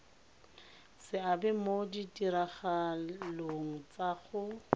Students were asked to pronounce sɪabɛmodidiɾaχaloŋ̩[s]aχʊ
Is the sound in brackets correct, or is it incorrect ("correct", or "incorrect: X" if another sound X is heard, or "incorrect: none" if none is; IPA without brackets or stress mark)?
incorrect: t͡s